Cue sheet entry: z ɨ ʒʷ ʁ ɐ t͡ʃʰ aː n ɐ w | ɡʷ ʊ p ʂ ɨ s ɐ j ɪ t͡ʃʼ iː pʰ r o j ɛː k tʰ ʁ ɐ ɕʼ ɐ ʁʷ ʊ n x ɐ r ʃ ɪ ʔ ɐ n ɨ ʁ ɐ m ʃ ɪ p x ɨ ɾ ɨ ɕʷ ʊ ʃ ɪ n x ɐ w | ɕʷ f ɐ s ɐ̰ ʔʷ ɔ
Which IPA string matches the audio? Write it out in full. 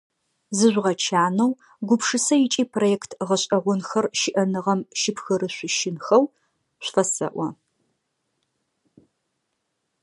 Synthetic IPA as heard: z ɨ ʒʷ ʁ ɐ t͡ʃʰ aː n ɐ w | ɡʷ ʊ p ʂ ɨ s ɐ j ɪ t͡ʃʼ iː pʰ r o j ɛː k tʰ ʁ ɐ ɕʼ ɐ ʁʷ ʊ n x ɐ r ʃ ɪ ʔ ɐ n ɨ ʁ ɐ m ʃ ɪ p x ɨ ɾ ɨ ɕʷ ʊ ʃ ɪ n x ɐ w | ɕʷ f ɐ s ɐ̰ ʔʷ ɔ